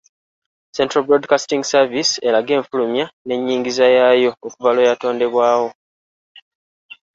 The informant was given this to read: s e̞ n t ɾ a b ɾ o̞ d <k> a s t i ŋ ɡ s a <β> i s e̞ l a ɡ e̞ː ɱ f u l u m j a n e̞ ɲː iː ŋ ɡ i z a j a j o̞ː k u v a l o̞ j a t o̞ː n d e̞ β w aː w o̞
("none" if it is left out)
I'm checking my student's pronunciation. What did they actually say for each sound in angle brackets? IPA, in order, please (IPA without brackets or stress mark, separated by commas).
k, v